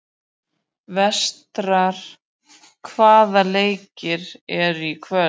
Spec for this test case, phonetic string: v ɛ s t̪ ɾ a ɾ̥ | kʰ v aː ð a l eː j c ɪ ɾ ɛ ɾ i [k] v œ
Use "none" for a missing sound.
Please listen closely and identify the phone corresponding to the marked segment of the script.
kʰ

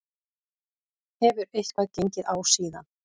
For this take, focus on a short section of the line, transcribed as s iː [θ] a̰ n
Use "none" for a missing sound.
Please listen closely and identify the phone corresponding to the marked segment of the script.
ð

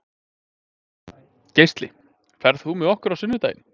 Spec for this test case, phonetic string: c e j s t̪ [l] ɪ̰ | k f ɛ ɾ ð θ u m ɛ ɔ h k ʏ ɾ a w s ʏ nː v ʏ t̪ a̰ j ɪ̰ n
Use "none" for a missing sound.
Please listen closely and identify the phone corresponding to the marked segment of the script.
l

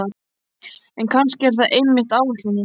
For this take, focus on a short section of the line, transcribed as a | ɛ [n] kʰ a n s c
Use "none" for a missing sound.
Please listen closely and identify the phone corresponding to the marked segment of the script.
n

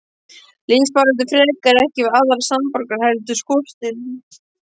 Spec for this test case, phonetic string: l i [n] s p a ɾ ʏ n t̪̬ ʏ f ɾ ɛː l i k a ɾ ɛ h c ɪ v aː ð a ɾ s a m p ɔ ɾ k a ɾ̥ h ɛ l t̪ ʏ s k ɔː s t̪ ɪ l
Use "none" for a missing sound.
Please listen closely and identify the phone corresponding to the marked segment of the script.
n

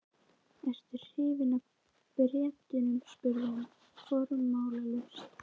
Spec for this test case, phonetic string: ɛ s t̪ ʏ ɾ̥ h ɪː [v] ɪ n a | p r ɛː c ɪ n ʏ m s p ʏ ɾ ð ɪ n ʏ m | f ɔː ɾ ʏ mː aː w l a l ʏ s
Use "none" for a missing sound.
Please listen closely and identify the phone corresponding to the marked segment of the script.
v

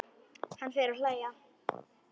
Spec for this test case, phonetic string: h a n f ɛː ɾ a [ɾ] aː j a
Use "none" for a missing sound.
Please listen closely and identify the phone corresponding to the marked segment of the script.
l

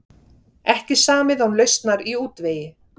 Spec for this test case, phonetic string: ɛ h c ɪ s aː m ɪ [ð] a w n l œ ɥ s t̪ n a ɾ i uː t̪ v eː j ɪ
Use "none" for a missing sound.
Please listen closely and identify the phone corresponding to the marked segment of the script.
ð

